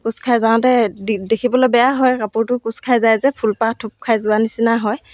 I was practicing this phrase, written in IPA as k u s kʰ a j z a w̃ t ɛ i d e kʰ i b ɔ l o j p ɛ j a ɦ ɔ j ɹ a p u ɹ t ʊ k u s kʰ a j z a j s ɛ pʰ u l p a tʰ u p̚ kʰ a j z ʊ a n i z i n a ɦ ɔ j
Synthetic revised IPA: k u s kʰ a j z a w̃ t ɛ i d e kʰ i b ɔ l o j b ɛ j a ɦ ɔ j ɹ a p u ɹ t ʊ k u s kʰ a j z a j z ɛ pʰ u l p a tʰ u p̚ kʰ a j z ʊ a n i s i n a ɦ ɔ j